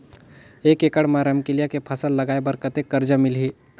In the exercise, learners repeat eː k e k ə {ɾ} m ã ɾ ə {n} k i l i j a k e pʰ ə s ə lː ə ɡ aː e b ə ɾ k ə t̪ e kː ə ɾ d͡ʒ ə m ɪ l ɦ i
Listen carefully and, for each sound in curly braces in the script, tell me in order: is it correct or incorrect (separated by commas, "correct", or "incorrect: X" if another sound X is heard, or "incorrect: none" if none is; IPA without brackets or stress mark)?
incorrect: ɽ, incorrect: m